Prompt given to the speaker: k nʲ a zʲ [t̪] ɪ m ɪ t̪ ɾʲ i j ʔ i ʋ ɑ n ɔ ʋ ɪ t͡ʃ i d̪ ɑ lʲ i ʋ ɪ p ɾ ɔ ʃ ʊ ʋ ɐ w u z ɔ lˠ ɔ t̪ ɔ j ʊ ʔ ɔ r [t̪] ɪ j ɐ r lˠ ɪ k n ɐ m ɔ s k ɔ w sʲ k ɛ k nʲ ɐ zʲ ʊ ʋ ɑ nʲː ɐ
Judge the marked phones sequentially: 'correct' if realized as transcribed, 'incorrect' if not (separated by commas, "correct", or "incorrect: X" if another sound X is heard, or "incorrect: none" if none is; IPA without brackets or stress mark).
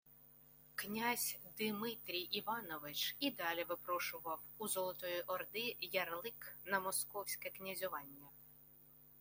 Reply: incorrect: d̪, incorrect: d̪